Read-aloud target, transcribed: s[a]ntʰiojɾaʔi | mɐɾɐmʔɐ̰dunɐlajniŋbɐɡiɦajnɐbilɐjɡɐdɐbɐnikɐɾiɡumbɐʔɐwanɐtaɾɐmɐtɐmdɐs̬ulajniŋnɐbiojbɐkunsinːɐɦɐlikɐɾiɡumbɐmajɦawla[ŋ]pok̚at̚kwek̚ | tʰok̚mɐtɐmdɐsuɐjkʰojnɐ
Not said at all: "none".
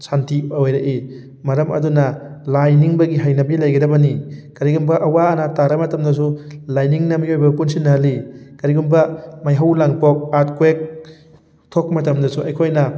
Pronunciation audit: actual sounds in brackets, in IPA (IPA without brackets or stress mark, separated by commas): a, ŋ